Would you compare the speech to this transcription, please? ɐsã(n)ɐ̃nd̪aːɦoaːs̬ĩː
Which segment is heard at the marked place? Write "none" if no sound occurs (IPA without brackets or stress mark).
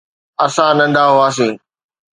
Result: n